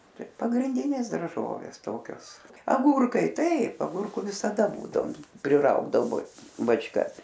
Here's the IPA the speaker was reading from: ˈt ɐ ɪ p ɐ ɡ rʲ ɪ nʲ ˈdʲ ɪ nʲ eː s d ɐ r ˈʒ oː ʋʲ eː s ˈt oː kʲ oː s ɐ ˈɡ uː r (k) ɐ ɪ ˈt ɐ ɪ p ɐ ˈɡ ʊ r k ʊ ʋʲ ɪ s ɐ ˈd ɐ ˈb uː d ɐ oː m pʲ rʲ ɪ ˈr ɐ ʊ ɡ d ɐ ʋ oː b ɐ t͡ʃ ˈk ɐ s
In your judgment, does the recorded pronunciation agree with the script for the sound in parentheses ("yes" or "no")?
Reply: yes